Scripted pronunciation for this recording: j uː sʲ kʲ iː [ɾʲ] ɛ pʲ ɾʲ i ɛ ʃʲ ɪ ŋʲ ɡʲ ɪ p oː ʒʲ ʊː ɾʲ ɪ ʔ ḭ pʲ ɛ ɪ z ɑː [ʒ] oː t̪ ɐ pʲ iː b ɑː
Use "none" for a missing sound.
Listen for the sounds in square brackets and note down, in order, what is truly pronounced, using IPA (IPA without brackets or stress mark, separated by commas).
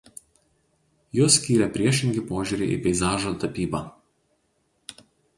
ɾʲ, ʒ